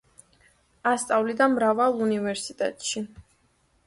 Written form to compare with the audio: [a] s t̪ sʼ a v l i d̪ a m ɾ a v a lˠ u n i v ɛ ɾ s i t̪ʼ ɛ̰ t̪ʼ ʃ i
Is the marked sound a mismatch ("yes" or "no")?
no